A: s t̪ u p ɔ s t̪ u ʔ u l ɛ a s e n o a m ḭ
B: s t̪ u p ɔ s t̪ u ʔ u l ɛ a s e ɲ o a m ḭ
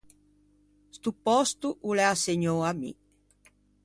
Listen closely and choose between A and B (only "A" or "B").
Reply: B